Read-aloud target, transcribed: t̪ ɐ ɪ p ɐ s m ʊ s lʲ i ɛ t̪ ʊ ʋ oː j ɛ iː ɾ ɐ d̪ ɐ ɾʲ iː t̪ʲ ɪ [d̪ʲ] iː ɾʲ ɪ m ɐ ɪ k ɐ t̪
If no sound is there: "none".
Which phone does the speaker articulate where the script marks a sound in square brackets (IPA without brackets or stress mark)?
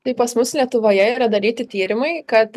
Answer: t̪ʲ